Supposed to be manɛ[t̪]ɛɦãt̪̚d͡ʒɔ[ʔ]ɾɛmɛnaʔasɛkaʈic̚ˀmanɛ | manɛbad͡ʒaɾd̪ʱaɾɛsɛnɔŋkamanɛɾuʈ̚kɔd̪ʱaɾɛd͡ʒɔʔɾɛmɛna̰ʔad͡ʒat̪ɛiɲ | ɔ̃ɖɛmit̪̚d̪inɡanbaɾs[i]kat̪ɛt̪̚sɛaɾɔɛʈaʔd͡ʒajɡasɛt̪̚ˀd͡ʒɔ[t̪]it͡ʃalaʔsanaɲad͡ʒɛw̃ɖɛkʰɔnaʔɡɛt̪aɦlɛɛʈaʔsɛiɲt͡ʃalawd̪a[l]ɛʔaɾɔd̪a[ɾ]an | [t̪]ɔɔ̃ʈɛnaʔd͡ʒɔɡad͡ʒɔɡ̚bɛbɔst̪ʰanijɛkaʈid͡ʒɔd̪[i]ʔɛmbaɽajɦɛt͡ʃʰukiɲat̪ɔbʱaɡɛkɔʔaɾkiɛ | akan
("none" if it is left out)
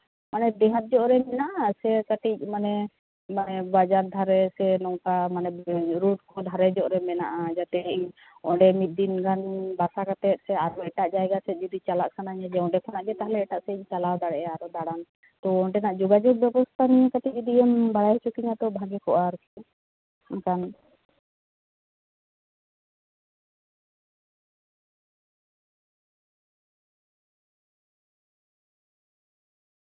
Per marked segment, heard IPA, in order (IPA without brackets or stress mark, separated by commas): d̪, ʔ, a, d̪, ɽ, ɽ, t̪, i